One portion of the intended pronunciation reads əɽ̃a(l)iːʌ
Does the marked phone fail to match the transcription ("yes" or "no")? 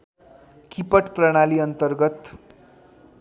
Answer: no